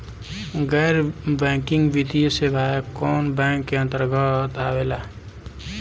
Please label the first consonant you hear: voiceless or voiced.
voiced